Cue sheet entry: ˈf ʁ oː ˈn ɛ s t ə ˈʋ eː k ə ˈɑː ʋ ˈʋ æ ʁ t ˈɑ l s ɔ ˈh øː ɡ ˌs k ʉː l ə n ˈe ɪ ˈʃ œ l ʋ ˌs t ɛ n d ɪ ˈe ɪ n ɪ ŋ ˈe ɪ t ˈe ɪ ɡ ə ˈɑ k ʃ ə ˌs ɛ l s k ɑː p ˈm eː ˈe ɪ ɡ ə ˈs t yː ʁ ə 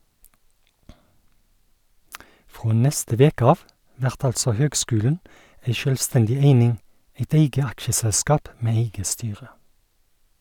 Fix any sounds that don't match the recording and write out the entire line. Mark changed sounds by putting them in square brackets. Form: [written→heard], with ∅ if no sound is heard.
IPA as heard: ˈf ʁ oː ˈn ɛ s t ə ˈʋ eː k ə ˈɑː ʋ ˈʋ æ ʁ t ˈɑ l s ɔ ˈh øː ɡ ˌs k ʉː l ə n [ˈe→ˈæ] ɪ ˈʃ œ l ʋ ˌs t ɛ n d ɪ ˈe ɪ n ɪ ŋ ˈe ɪ t ˈe ɪ ɡ ə ˈɑ k ʃ ə ˌs ɛ l s k ɑː p ˈm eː ˈe ɪ ɡ ə ˈs t yː ʁ ə